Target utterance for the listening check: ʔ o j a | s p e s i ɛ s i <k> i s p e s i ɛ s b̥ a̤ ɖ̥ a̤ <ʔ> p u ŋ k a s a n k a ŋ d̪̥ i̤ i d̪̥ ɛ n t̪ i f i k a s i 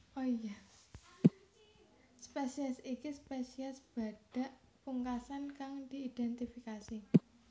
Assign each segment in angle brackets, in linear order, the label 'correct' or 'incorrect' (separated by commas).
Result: correct, correct